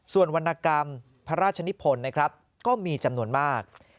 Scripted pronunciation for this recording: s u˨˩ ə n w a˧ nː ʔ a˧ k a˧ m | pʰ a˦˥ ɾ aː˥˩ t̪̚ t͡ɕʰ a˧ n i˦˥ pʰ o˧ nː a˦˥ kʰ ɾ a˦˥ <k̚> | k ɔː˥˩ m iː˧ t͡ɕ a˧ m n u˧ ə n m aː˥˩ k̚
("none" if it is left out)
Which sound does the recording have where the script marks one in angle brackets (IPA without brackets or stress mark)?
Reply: p̚